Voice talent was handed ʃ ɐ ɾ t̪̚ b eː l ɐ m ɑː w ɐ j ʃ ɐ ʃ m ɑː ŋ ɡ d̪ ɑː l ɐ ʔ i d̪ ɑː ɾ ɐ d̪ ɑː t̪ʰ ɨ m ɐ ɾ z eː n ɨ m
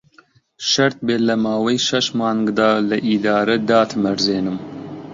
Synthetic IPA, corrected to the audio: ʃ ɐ ɾ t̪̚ b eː l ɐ m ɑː w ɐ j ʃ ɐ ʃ m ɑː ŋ ɡ d̪ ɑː l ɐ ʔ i d̪ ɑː ɾ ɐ d̪ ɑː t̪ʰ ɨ m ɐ ɾ z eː n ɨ m